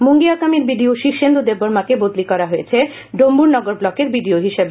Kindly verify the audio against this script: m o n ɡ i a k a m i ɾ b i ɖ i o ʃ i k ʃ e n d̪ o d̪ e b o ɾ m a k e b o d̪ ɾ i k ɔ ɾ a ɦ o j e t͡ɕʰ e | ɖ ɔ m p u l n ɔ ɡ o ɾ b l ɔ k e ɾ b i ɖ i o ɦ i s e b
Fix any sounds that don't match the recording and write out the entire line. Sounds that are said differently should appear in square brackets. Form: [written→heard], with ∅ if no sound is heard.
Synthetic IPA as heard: m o [n→ŋ] ɡ i a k a m i ɾ b i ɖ i o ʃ i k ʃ e n d̪ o d̪ e b o ɾ m a k e b o d̪ [ɾ→l] i k ɔ ɾ a ɦ o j e t͡ɕʰ e | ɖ [ɔ→o] m [p→b] u [l→ɾ] n ɔ ɡ o ɾ b l ɔ k e ɾ b i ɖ i o ɦ i [s→ʃ] e b

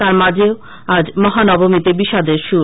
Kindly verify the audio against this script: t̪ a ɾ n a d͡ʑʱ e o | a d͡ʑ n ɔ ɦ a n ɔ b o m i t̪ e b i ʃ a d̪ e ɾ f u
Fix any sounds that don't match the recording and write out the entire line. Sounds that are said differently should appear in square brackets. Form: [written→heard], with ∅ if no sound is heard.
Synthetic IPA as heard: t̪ a ɾ [n→m] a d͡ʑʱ e o | a d͡ʑ [n→m] ɔ ɦ a n ɔ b o m i t̪ e b i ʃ a d̪ e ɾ [f→ʃ] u

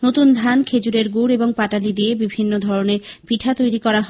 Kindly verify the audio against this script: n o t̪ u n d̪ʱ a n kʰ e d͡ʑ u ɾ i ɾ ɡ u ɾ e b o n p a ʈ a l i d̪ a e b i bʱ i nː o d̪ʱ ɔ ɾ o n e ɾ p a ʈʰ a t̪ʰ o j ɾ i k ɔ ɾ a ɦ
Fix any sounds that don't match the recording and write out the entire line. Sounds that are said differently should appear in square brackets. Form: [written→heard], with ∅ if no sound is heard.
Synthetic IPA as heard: n o t̪ u n d̪ʱ a n kʰ e d͡ʑ u ɾ [i→e] ɾ ɡ u ɾ e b o [n→ŋ] p a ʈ a l i d̪ [a→i] e b i bʱ i nː o d̪ʱ ɔ ɾ o n e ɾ p [a→i] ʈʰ a [t̪ʰ→t̪] o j ɾ i k ɔ ɾ a ɦ

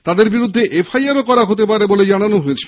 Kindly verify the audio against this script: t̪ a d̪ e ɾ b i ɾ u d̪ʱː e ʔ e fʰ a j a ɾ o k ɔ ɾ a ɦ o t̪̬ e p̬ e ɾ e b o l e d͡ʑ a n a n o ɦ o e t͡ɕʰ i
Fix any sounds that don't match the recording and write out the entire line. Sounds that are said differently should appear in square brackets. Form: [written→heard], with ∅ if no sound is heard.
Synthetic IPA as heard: t̪ a d̪ e ɾ b i ɾ u d̪ʱː e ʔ e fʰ a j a ɾ o k ɔ ɾ a ɦ o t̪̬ e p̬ [e→a] ɾ e b o l e d͡ʑ a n a n o ɦ o e t͡ɕʰ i

